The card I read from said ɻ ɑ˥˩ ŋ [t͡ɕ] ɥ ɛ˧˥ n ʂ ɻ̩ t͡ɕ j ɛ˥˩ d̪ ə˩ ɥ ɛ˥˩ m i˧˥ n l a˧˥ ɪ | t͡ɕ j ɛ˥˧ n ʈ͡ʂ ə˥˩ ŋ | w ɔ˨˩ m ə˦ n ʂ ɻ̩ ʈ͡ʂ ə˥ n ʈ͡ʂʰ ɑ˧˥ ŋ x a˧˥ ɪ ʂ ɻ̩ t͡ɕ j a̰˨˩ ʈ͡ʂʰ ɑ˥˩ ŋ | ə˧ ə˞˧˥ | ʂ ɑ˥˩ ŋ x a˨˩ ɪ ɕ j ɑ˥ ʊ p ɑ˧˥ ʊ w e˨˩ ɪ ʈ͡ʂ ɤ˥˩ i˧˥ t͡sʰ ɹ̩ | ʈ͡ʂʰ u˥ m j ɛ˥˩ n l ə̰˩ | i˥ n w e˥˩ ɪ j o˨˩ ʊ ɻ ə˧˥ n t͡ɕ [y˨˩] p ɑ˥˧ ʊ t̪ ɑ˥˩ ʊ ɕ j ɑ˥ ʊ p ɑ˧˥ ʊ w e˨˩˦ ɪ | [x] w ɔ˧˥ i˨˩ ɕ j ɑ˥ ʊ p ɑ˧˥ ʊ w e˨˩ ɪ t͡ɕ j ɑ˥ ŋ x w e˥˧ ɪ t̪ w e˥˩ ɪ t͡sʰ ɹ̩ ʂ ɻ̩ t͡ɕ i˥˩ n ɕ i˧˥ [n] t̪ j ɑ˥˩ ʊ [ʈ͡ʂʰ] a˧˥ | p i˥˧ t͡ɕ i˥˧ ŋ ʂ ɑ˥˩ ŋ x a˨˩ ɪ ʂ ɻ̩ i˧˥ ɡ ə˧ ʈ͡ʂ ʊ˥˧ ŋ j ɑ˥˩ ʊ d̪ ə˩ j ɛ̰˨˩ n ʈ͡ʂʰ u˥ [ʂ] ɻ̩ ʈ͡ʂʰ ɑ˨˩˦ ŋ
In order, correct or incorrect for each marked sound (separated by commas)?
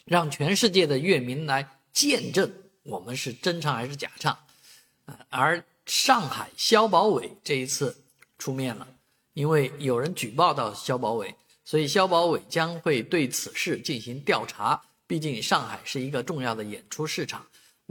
incorrect, correct, incorrect, incorrect, correct, correct